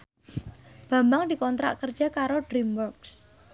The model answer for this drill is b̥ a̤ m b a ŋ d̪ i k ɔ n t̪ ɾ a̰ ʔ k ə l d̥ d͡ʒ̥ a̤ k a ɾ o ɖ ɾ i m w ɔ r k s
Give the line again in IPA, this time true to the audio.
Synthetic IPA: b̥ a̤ m b a ŋ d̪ i k ɔ n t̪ ɾ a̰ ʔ k ə r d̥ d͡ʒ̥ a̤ k a ɾ o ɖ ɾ i m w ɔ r k s